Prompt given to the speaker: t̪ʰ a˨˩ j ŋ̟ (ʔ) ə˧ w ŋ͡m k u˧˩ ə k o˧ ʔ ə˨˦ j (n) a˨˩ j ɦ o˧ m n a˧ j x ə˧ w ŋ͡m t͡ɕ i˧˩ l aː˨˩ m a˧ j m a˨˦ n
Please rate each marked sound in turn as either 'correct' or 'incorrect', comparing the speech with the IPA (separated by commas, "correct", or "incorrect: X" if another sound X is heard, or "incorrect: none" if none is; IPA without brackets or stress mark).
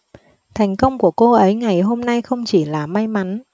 incorrect: k, incorrect: ŋ